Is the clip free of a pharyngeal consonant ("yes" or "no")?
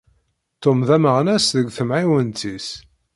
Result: no